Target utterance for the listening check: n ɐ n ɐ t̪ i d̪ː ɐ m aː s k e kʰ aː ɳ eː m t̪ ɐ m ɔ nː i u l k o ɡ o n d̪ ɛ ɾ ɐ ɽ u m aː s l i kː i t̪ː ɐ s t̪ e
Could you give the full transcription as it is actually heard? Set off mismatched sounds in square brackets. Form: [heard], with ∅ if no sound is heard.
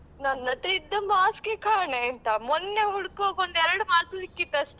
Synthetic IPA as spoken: n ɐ n ɐ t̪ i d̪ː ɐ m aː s k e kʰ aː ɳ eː [n] t̪ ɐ m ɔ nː [e] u [ɽ] k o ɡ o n d̪ ɛ ɾ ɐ ɽ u m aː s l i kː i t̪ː ɐ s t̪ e